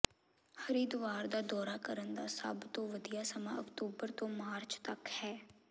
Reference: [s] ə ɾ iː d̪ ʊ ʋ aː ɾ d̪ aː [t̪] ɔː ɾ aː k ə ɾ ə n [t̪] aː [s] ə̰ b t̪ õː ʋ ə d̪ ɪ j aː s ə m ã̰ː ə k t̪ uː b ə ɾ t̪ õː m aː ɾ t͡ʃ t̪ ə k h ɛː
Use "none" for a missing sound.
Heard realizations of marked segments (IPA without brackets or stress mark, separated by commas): h, d̪, d̪, s